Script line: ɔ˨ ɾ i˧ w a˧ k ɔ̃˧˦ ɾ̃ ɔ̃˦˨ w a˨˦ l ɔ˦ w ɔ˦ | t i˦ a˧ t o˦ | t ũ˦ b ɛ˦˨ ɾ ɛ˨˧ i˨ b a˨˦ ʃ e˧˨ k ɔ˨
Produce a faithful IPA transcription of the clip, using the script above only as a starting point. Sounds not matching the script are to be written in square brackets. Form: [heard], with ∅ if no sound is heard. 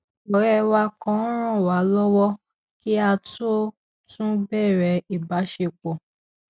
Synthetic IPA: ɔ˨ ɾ [ɛ˧] w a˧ k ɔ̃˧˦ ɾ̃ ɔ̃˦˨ w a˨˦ l ɔ˦ w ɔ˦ | [k] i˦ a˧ t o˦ | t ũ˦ b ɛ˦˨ ɾ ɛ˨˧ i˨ b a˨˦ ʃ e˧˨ [k͡p] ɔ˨